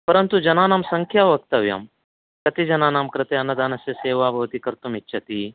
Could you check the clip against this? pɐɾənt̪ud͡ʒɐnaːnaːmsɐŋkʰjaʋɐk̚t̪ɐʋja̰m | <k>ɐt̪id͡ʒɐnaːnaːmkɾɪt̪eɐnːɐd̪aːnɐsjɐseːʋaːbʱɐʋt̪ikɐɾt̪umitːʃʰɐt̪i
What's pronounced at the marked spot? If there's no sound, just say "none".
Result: k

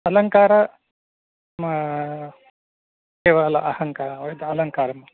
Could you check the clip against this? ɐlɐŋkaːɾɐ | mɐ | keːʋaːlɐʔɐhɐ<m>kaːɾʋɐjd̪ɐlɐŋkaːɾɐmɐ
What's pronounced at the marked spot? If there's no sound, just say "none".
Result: ŋ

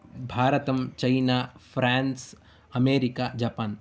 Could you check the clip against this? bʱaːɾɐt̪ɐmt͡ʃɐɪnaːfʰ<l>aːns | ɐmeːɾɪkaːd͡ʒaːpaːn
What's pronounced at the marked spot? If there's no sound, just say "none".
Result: ɾ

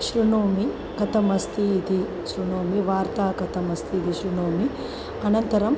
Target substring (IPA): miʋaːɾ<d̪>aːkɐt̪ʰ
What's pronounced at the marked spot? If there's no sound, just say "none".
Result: t̪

